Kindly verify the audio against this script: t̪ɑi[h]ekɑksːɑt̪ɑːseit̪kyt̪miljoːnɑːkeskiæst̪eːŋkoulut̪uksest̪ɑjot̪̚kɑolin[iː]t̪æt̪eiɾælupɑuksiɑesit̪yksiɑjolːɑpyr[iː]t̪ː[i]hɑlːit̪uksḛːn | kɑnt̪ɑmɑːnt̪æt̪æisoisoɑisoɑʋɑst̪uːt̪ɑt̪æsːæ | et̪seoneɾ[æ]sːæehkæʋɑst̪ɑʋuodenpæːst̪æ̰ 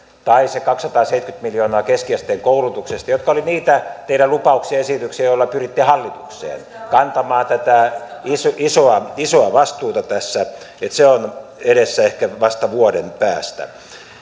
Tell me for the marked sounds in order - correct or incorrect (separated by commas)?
incorrect, correct, incorrect, correct, incorrect